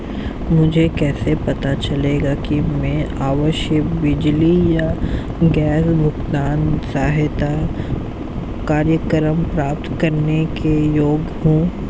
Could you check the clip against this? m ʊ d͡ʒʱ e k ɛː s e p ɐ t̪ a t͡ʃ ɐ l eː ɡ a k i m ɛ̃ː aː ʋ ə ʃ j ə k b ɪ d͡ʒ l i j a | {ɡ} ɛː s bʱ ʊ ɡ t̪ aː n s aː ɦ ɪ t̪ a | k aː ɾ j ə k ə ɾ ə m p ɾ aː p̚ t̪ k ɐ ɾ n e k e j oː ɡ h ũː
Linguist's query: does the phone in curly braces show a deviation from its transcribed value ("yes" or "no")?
no